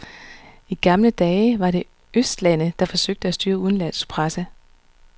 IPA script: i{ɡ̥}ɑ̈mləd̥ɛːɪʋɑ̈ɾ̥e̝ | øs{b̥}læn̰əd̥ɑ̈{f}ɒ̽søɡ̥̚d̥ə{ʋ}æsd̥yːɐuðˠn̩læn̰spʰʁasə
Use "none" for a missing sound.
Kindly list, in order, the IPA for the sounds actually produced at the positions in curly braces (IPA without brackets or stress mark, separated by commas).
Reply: ɡ̥, d̥, f, none